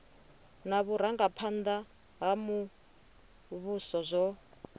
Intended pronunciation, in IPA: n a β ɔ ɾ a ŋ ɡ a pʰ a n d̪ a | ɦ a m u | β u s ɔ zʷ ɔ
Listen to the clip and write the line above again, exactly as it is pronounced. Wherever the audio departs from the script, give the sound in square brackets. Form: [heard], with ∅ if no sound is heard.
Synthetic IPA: n a β [u] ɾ a ŋ ɡ a pʰ a n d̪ a | ɦ a m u | β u s ɔ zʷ ɔ